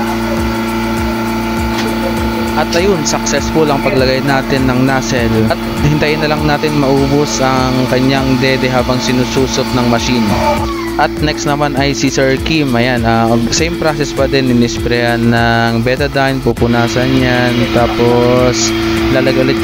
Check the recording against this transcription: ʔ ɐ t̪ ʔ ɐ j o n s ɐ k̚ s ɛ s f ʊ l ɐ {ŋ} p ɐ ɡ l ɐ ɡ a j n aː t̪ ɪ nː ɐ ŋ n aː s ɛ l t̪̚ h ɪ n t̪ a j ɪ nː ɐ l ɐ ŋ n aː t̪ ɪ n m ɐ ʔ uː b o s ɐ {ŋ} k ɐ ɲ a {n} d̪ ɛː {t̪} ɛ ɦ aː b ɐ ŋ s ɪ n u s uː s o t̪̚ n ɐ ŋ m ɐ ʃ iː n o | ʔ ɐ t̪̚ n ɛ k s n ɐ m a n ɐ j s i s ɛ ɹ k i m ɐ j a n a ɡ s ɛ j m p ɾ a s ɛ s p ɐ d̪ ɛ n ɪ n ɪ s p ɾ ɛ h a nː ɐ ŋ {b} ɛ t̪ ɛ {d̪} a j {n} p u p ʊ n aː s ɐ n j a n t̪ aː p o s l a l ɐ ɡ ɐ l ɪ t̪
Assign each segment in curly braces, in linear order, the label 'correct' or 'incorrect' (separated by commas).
correct, correct, incorrect, incorrect, correct, correct, correct